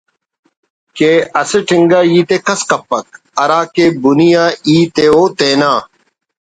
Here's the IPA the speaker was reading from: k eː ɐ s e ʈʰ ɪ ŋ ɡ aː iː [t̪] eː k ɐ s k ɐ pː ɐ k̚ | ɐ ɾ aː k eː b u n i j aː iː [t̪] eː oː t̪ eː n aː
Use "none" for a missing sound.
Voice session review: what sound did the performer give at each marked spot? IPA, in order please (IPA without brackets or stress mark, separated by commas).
t̪, t̪